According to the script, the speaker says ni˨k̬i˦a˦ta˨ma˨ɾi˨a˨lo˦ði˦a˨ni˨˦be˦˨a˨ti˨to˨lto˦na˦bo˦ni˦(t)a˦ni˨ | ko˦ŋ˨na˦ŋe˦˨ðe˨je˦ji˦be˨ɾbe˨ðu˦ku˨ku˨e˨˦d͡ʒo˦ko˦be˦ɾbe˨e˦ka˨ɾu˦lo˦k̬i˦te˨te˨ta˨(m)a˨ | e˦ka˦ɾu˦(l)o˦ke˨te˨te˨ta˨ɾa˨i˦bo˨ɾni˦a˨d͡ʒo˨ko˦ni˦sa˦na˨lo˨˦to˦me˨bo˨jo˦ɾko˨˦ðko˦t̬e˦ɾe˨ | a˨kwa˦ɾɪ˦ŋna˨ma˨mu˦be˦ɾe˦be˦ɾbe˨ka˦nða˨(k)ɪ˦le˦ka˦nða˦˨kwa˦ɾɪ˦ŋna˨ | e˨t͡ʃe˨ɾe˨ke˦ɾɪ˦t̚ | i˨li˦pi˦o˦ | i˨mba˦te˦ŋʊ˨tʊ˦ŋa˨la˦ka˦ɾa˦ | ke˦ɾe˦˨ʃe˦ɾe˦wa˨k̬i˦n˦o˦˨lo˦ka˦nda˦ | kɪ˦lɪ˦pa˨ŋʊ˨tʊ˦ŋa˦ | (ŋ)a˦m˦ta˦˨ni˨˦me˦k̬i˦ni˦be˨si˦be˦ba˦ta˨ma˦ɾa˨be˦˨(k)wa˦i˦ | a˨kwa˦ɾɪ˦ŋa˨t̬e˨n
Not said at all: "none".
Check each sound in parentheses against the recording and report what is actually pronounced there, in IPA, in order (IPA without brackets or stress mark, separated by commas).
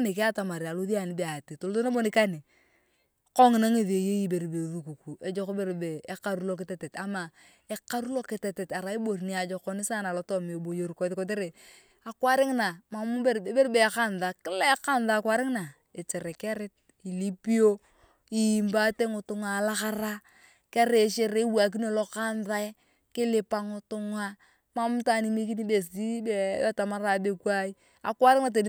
k, m, l, k, m, k